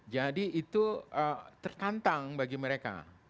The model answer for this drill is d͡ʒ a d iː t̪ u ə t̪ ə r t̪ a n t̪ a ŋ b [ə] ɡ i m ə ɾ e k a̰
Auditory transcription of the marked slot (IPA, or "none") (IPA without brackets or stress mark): a